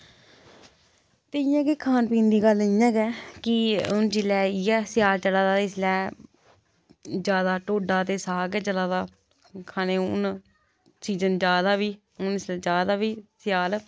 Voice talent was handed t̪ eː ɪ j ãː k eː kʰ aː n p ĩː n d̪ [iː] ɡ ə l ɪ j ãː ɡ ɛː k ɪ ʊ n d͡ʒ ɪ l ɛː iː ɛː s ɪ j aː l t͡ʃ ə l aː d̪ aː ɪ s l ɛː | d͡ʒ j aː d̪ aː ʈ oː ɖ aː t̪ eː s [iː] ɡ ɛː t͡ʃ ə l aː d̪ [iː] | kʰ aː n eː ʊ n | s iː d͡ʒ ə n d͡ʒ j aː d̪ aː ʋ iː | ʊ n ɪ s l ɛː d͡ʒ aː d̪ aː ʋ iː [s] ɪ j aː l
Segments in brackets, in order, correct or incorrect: correct, incorrect: aː, incorrect: aː, correct

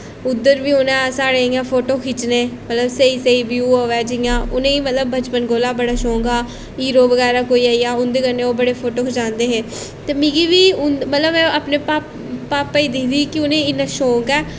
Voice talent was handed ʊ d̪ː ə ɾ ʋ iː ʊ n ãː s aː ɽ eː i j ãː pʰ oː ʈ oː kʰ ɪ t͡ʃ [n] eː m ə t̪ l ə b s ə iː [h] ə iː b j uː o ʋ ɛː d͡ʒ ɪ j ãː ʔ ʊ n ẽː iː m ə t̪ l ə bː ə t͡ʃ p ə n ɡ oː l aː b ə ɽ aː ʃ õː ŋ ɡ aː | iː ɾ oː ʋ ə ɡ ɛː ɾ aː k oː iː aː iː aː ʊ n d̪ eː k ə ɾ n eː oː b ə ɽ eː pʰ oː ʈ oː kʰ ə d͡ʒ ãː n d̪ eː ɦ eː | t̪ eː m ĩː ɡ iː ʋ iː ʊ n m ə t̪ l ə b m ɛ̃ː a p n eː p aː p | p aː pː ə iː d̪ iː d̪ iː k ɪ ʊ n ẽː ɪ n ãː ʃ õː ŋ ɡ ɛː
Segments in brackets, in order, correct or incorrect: correct, incorrect: s

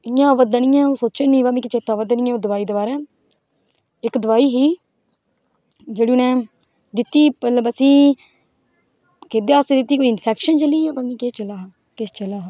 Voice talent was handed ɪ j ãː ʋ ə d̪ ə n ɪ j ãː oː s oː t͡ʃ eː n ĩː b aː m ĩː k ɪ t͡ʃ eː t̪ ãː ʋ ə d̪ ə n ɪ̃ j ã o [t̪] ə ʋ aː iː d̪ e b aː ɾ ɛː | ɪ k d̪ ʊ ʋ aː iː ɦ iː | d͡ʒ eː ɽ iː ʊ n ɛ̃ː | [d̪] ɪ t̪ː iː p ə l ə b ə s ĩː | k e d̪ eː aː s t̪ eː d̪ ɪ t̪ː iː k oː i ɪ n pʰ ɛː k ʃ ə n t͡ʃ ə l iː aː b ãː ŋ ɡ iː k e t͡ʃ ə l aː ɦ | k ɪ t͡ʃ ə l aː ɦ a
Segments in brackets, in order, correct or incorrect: incorrect: d̪, correct

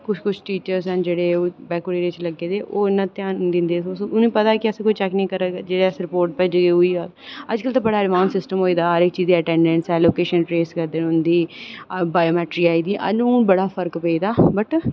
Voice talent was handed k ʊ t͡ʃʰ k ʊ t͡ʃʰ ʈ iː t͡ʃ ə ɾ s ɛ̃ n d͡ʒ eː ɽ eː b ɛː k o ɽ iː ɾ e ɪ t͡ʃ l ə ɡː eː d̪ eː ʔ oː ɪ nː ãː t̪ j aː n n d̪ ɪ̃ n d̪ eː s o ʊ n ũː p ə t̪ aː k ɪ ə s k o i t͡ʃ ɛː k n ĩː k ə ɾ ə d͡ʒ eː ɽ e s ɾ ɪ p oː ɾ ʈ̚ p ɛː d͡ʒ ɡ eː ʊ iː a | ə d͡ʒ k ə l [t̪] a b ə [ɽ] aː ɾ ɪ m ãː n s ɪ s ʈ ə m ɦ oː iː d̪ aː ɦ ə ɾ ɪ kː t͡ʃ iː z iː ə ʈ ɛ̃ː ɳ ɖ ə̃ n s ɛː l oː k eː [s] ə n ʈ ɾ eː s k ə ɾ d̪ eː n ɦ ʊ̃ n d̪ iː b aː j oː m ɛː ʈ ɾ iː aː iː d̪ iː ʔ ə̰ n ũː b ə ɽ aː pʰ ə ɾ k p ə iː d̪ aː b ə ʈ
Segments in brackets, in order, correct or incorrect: correct, correct, incorrect: ʃ

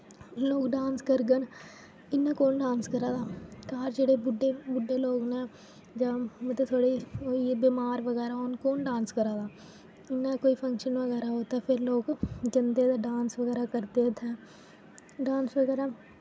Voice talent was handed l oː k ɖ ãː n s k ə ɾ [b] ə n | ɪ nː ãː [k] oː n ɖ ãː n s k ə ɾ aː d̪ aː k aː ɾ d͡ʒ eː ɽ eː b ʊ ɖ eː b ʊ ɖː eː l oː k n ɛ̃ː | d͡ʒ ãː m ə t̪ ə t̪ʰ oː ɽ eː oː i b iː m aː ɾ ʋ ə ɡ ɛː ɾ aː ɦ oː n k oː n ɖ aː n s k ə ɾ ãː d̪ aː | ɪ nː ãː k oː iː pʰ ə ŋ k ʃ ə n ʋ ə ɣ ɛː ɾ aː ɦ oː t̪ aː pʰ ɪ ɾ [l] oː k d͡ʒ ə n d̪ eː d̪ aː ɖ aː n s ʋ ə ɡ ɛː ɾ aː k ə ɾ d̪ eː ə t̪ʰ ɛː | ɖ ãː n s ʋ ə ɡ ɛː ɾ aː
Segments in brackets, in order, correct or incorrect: incorrect: ɡ, correct, correct

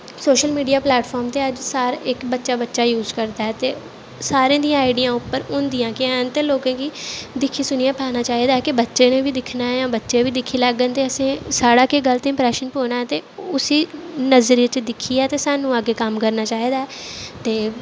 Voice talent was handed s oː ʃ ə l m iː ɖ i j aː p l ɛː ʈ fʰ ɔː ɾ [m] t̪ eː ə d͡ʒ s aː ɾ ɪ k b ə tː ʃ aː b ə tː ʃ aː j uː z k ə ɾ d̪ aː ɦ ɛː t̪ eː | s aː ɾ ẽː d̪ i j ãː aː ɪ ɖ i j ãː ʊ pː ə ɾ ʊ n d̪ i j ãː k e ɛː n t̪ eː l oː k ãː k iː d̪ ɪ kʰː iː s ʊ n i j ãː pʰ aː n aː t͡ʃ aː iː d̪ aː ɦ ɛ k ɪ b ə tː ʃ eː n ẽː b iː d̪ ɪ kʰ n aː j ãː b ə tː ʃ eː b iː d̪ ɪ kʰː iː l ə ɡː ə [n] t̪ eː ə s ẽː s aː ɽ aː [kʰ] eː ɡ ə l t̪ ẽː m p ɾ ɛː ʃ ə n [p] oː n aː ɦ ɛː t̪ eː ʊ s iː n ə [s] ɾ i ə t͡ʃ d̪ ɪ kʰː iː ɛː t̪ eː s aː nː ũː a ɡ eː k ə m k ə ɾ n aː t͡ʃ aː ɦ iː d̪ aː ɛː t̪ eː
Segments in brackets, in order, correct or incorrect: correct, correct, incorrect: k, correct, incorrect: z

